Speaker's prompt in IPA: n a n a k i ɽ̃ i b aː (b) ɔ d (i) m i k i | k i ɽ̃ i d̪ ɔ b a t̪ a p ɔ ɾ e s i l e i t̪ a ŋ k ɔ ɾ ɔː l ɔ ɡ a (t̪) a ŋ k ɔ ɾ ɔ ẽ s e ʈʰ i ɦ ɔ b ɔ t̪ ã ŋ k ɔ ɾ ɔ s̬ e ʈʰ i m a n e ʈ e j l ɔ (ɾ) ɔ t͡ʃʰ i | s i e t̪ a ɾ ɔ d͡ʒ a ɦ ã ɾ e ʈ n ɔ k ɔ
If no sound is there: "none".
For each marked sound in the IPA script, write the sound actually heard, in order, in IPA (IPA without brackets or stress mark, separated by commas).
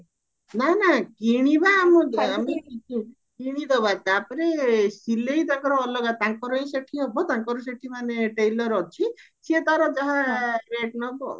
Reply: m, a, t̪, ɾ